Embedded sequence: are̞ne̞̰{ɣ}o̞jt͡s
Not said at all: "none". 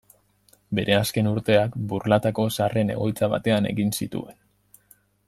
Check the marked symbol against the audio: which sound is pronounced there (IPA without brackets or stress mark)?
ɣ